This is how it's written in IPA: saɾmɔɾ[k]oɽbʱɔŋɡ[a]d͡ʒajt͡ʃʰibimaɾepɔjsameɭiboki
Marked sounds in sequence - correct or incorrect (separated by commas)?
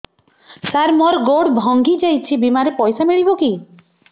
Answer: incorrect, incorrect